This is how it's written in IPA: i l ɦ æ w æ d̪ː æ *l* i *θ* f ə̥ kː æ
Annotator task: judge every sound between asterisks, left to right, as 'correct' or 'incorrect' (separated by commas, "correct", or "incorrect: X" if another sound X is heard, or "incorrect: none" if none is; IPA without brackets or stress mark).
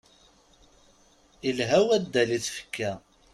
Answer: correct, correct